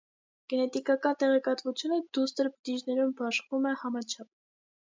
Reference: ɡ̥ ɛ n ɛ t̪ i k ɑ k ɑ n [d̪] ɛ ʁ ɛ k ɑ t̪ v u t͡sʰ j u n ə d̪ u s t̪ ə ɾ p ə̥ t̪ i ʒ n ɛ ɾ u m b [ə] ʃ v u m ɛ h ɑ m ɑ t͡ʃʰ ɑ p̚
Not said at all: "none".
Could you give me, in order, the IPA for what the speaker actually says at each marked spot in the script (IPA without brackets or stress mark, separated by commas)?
t̪, ɑ